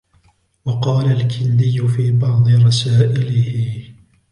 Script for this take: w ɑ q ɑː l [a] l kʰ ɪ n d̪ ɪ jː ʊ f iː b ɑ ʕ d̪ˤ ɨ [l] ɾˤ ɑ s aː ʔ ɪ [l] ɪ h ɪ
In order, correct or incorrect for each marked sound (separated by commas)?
correct, incorrect, correct